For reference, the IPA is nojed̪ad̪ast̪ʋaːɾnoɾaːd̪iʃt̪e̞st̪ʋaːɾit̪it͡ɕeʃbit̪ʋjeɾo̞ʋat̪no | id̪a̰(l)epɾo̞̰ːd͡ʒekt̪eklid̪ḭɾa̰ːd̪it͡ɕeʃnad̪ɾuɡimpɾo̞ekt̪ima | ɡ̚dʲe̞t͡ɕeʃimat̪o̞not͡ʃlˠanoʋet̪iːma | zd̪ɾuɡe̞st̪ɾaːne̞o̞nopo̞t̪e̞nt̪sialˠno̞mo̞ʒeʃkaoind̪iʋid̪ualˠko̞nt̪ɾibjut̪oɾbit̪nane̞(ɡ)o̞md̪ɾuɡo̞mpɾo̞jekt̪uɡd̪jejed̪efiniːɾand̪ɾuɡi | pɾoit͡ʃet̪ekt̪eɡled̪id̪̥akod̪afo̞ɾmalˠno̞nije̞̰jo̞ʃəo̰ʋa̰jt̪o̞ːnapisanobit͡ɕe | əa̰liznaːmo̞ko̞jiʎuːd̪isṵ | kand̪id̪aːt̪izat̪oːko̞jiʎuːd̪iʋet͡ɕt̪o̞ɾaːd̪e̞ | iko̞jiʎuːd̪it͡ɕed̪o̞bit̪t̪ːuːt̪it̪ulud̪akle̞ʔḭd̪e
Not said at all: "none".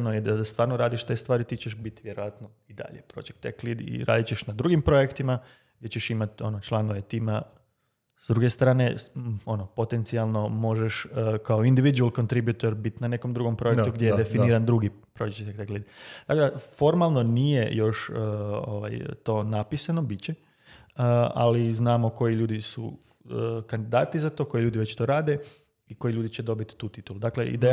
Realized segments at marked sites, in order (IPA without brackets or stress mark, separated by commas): ʎ, k